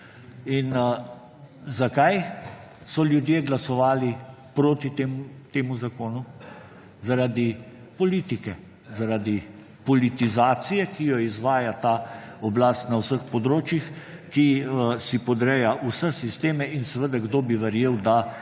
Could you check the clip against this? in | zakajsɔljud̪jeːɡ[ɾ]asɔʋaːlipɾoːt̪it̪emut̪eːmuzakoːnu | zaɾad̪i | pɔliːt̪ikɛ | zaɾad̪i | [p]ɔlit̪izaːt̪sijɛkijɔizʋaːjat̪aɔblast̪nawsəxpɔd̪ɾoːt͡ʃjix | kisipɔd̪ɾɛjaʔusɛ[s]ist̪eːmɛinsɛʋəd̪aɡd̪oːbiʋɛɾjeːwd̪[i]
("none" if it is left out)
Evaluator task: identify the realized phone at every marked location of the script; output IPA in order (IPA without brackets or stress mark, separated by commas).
l, p, s, a